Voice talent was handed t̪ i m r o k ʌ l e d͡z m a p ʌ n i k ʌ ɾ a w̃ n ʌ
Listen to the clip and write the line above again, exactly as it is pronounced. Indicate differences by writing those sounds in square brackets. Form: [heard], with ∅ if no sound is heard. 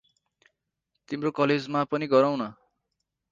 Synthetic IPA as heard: t̪ i m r o k ʌ l e d͡z m a p ʌ n i [ɡ] ʌ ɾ a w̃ n ʌ